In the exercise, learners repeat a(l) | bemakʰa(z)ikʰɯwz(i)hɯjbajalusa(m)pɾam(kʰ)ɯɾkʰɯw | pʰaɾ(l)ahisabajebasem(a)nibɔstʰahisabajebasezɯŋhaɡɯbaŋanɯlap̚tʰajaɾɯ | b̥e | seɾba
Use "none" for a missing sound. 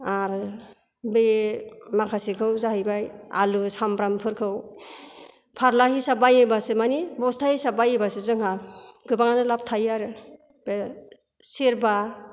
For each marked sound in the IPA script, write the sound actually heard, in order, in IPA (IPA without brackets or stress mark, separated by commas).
ɾ, s, a, m, pʰ, l, a